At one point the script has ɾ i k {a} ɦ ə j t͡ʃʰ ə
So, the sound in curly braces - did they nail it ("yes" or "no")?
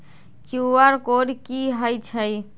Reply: no